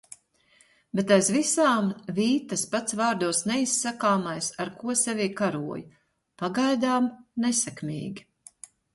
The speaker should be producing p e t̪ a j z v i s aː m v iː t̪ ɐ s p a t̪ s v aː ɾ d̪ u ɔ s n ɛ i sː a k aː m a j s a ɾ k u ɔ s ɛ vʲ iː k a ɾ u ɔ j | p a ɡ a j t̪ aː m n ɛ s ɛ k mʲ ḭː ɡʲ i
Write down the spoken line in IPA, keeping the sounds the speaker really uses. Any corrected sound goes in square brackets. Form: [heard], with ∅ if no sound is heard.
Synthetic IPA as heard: [b] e t̪ a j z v i s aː m v iː t̪ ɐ s p a t̪ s v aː ɾ d̪ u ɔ s n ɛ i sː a k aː m a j s a ɾ k u ɔ s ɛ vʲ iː k a ɾ u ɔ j | p a ɡ a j [d̪] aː m n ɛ s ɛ k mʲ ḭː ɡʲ i